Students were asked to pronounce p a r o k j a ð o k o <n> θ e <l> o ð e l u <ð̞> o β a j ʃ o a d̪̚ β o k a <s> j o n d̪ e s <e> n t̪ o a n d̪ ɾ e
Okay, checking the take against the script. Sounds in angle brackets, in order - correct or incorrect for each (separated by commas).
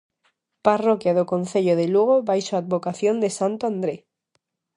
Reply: correct, incorrect, incorrect, incorrect, incorrect